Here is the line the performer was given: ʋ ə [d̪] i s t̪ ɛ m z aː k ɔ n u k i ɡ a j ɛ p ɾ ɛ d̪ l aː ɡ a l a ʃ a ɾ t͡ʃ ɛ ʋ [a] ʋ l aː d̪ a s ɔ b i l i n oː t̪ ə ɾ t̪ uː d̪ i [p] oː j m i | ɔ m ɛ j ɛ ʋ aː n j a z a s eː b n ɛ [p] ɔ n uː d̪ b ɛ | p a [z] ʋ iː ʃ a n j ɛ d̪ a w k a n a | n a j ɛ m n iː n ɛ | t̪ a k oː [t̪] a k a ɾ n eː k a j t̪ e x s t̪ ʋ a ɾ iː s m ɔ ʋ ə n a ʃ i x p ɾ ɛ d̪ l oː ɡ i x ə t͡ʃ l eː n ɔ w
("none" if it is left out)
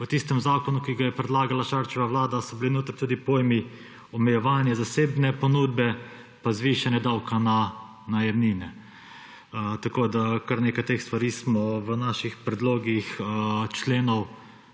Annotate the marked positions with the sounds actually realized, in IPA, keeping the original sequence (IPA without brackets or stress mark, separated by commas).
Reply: t̪, a, p, p, z, d̪